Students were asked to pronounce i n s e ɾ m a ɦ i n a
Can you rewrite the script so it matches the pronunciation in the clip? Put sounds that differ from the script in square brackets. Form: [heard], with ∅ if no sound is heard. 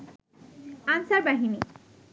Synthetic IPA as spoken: [a] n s [a] ɾ [b] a ɦ i n [i]